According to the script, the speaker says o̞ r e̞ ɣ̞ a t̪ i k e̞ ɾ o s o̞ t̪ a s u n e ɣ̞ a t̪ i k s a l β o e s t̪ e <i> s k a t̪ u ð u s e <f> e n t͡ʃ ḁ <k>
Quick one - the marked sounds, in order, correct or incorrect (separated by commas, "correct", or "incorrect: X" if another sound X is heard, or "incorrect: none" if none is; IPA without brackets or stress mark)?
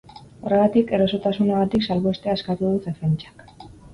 incorrect: a, correct, correct